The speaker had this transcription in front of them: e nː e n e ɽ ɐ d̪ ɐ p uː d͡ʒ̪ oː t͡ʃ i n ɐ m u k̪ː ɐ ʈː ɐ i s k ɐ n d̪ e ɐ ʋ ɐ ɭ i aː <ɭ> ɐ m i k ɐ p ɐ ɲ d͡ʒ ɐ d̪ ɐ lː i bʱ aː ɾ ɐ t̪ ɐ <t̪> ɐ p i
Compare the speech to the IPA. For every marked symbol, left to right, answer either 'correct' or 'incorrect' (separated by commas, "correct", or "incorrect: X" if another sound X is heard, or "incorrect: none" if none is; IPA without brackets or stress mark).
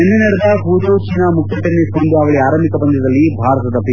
incorrect: ɾ, incorrect: d̪